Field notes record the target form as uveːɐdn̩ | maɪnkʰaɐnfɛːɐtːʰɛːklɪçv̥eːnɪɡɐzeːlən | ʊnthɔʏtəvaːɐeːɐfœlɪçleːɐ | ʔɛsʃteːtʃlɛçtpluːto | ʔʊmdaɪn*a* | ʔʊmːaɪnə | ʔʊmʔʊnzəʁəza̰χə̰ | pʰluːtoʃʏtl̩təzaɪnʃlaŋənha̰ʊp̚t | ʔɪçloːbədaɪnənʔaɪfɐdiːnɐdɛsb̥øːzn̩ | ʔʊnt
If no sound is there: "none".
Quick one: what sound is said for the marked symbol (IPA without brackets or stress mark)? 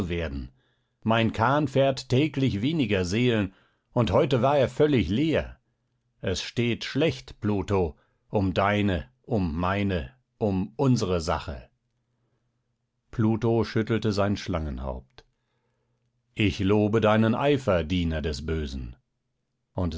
ə